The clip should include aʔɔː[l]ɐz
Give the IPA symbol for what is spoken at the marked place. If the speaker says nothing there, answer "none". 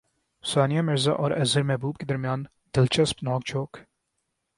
ɾ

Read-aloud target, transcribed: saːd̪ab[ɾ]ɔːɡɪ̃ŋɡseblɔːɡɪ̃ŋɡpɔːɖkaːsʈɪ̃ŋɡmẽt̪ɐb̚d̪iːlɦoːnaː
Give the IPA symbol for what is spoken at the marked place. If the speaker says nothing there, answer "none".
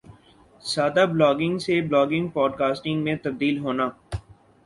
l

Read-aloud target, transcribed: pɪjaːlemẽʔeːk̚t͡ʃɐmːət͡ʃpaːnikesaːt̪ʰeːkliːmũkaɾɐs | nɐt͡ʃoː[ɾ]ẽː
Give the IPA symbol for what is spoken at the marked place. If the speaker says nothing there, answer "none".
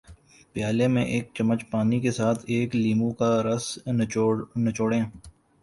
ɽ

